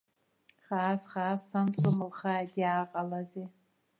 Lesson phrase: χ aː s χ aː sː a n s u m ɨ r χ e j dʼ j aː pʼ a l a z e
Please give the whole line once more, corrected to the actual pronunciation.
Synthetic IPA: χ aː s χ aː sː a n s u m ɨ l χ a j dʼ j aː qʼ a l a z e